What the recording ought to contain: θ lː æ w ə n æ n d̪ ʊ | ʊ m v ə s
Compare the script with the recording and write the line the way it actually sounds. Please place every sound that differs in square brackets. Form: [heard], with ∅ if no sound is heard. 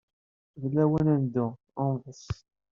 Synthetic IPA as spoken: [ð] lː æ w ə n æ n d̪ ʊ | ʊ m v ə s